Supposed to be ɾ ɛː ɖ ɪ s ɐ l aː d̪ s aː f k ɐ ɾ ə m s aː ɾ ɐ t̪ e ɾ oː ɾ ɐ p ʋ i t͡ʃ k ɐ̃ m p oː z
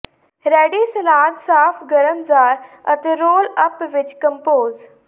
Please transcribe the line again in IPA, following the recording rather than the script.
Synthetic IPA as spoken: ɾ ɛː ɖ i s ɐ l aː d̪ s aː f ɡ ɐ ɾ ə m z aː ɾ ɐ t̪ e ɾ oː l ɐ p ʋ ɪ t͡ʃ k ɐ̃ m p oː z